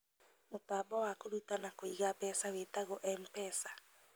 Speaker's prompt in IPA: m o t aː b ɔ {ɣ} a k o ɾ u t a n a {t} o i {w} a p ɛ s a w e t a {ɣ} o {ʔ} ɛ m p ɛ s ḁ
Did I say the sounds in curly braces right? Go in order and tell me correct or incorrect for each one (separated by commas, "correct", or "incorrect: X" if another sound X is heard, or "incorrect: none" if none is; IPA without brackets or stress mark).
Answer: incorrect: w, incorrect: k, incorrect: ɣ, correct, correct